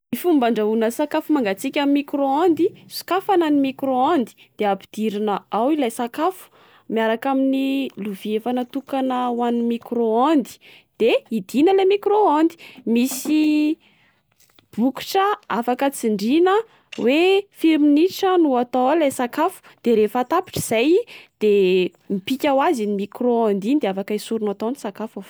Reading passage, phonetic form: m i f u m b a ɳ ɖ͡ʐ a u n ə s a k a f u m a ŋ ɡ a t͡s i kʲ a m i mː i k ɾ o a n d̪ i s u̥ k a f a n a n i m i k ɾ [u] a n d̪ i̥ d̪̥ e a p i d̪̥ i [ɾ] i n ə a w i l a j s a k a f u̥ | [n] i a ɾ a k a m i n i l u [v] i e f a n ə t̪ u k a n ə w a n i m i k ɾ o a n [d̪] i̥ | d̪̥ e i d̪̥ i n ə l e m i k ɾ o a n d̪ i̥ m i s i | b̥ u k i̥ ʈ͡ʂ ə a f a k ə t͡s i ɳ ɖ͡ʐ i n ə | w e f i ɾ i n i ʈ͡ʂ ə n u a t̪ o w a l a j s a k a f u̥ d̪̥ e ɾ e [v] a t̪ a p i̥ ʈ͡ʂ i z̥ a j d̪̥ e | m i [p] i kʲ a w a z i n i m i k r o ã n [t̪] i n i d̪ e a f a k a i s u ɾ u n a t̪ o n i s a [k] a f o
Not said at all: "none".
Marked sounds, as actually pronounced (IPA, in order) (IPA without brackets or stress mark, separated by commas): o, ɾ, m, v, d̪, f, p, d̪, k